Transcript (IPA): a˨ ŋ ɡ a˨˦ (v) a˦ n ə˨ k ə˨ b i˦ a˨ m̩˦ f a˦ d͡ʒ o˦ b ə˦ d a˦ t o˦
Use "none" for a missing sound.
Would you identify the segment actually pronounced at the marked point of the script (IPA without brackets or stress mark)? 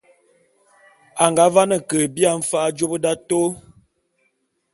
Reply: v